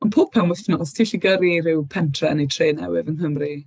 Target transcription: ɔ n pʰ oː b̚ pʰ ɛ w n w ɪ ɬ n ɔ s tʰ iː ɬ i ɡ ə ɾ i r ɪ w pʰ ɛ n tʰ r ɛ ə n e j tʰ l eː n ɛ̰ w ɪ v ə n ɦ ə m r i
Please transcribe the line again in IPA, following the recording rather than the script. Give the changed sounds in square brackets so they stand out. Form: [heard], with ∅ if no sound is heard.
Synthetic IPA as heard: ɔ n pʰ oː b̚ pʰ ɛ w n w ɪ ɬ n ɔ s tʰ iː ɬ i ɡ ə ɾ i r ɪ w pʰ ɛ n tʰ r ɛ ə n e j tʰ [r] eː n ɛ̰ w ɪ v ə n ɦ ə m r i